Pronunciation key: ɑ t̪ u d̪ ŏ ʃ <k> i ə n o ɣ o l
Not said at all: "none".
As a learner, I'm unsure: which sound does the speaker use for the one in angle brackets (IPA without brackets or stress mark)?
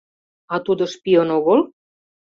p